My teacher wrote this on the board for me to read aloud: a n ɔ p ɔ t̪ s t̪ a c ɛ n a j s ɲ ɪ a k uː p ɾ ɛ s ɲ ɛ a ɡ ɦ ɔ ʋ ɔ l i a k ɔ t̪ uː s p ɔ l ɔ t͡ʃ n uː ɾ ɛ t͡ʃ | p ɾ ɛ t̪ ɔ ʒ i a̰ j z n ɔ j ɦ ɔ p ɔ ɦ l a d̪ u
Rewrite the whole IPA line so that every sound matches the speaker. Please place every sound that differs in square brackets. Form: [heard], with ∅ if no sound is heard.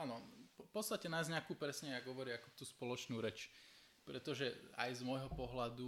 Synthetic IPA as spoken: a n ɔ p ɔ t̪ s t̪ a c ɛ n a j [z] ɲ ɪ a k uː p ɾ ɛ s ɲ ɛ a ɡ ɦ ɔ ʋ ɔ [ɾ] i a k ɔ t̪ uː s p ɔ l ɔ t͡ʃ n uː ɾ ɛ t͡ʃ | p ɾ ɛ t̪ ɔ ʒ [ɛ] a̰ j z [m] ɔ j ɦ ɔ p ɔ ɦ l a d̪ u